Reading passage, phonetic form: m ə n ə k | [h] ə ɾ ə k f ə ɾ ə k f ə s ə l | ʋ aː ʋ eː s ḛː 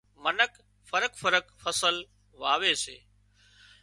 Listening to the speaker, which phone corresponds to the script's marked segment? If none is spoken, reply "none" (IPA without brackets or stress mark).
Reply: f